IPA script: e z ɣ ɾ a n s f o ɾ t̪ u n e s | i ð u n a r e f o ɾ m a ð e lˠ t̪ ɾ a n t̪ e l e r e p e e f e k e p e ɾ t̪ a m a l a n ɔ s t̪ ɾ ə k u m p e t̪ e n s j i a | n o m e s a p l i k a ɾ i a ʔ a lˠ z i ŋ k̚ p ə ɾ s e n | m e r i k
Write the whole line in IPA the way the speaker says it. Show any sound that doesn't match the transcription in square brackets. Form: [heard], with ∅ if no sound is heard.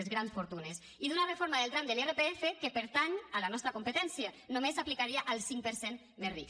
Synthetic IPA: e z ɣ ɾ a n s f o ɾ t̪ u n e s | i ð u n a r e f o ɾ m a ð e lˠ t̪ ɾ a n [d̪] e l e r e p e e f e k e p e ɾ t̪ a [ɲ] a l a n ɔ s t̪ ɾ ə k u m p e t̪ [ɛ] n s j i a | n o m e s a p l i k a ɾ i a ʔ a lˠ [s] i ŋ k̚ p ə ɾ s e n | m e r i k